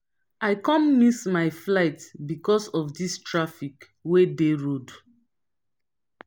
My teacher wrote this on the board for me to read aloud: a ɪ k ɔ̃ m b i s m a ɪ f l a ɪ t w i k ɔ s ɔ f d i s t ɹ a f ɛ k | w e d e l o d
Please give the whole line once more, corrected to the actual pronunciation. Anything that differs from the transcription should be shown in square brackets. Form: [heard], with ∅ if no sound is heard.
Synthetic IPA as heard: a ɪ k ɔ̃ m [m] i s m a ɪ f l a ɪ t [b] i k ɔ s ɔ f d i s t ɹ a f [i] k | w e d e [ɹ] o d